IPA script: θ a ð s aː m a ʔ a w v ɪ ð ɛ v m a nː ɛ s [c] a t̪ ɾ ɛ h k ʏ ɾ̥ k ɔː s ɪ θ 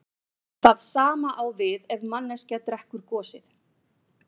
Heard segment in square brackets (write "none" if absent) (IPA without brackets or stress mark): c